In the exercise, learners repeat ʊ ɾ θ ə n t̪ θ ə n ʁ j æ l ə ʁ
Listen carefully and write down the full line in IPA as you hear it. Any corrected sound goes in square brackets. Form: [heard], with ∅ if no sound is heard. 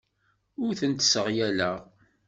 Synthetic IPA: ʊ ɾ θ ə n t̪ [s] ə [∅] ʁ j æ l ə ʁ

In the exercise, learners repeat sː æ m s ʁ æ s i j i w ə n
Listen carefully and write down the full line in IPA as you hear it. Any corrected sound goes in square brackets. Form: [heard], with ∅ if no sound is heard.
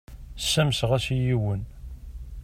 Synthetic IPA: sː æ m s ʁ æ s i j i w ə n

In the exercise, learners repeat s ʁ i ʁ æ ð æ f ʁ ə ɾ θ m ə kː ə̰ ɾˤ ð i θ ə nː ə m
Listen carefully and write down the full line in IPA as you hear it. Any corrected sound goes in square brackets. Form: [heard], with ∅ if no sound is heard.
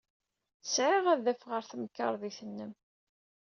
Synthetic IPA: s [ʕ] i ʁ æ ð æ f ʁ ə ɾ θ m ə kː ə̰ ɾˤ ð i θ ə nː ə m

